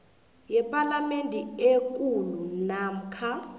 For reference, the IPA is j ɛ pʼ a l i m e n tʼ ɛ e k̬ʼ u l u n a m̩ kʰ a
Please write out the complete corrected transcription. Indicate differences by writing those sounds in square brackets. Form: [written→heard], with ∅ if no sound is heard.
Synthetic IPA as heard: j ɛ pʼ a l [i→a] m e n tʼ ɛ e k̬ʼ u l u n a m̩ kʰ a

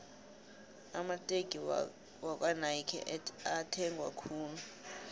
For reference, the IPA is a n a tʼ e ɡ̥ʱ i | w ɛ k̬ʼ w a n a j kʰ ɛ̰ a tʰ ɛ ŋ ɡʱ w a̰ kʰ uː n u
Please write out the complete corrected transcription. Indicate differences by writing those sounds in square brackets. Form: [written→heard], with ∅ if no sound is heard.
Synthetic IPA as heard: a [n→m] a tʼ e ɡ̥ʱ i | w [ɛ→a] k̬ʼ w a n a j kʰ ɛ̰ a tʰ ɛ ŋ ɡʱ w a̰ kʰ uː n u

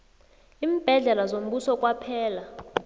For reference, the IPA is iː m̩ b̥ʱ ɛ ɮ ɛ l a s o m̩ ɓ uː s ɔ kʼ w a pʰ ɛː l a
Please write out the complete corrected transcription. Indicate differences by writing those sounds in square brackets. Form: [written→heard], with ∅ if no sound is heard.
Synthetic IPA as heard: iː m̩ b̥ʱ ɛ ɮ ɛ l a [s→z] o m̩ ɓ [uː→u] s ɔ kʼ w a pʰ ɛː l a

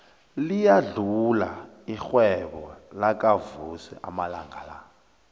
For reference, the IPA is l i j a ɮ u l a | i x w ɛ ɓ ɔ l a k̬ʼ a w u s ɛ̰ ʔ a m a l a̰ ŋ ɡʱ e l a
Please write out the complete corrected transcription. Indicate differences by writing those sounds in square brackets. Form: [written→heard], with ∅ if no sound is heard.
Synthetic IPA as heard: l i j a ɮ u l a | i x w ɛ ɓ ɔ l a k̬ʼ a [w→v] u s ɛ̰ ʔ a m a l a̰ ŋ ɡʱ [e→a] l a

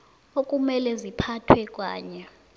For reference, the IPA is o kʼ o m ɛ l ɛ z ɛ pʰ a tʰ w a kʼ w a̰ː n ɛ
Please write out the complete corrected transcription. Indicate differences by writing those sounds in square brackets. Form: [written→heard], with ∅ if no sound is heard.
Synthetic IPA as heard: o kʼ [o→u] m ɛ l ɛ z [ɛ→i] pʰ a tʰ w [a→ɛ] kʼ w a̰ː [n→ɲ] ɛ

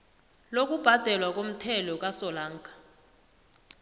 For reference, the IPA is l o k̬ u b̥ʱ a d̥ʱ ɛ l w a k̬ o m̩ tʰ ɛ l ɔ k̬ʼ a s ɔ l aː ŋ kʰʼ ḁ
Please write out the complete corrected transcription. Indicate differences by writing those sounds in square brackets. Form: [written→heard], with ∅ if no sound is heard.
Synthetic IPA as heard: l o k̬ u b̥ʱ a d̥ʱ ɛ l w a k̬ o m̩ tʰ ɛ l ɔ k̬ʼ a s ɔ l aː ŋ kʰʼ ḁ

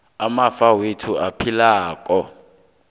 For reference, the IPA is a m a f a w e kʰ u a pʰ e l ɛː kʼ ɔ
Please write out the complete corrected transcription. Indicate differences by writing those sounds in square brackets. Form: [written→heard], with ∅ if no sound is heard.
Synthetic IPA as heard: a m a f a w e [kʰ→tʰ] u a pʰ [e→i] l [ɛː→aː] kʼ ɔ

